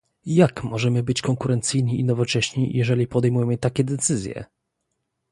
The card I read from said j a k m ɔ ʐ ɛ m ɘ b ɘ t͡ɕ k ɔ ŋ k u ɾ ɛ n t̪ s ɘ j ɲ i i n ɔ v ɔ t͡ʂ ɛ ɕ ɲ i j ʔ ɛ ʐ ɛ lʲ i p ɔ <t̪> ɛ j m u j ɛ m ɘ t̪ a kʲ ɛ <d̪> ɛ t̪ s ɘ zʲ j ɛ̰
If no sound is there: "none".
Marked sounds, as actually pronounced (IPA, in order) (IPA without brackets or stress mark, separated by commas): d̪, d̪